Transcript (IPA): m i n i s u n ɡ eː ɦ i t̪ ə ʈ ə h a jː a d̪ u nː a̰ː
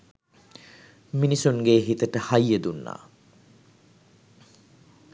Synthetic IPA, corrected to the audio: m i n i s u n ɡ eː ɦ i t̪ ə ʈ ə h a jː ə d̪ u nː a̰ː